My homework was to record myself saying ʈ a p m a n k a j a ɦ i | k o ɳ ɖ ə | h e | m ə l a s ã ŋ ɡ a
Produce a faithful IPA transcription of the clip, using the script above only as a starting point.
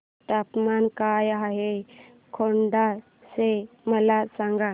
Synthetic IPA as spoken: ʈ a p m a n k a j a ɦ e | kʰ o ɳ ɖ a | s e | m ə l a s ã ŋ ɡ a